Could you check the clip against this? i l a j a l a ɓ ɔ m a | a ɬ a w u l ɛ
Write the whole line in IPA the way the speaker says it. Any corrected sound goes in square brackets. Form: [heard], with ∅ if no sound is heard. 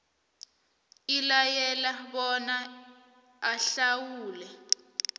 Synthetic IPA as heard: i l a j [ɛ] l a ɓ ɔ [n] a | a ɬ a w [uː] l ɛ